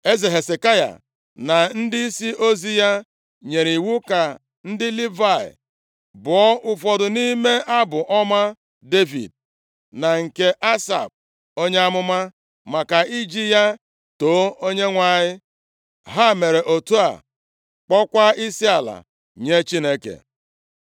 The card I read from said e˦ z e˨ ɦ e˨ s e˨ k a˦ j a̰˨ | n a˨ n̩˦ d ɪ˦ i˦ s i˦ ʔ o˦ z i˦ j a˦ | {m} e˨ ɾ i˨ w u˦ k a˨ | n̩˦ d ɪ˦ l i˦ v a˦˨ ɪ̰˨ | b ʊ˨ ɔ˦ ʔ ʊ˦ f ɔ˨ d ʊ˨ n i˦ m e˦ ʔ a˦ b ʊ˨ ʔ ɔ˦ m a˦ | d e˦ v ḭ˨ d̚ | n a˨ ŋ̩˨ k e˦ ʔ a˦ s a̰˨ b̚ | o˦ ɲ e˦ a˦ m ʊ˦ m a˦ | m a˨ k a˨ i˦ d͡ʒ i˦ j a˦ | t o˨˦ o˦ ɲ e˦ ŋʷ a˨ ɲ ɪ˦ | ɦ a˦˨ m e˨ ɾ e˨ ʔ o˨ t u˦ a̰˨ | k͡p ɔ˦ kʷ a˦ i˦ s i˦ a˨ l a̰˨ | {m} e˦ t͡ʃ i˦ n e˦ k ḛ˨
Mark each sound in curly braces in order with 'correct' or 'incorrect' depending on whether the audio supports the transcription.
incorrect: ɲ, incorrect: ɲ

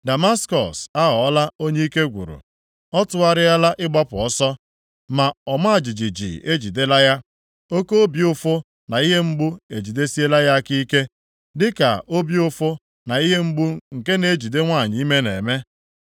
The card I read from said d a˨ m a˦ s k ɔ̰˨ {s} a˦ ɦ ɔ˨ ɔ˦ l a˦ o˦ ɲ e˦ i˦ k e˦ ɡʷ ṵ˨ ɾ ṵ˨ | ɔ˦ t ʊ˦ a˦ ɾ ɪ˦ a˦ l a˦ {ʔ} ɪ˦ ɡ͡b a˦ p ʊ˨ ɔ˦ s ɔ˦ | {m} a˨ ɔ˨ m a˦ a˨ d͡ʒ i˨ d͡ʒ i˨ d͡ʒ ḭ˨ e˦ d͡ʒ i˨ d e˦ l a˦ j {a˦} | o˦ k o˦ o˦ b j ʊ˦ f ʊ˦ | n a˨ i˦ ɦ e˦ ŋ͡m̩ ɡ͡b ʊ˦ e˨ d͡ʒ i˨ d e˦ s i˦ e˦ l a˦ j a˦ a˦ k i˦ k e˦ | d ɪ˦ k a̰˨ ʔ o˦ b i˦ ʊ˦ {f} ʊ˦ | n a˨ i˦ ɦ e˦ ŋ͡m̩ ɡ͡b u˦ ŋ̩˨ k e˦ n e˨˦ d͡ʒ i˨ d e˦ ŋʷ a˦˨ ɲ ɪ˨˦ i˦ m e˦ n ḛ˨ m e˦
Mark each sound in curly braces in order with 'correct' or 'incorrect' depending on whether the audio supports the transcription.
correct, correct, correct, correct, correct

